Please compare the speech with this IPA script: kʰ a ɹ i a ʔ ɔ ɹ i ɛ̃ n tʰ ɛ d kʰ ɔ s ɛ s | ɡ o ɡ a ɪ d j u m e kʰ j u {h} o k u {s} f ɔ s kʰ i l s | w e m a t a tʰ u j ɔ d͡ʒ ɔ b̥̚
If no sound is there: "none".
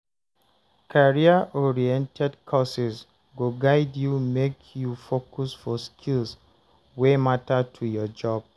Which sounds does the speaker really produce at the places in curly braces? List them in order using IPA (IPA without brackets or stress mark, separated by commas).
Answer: f, s